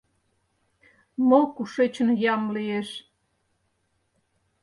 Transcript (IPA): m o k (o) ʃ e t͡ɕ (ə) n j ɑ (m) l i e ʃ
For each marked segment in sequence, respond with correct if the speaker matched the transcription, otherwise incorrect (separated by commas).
incorrect, correct, correct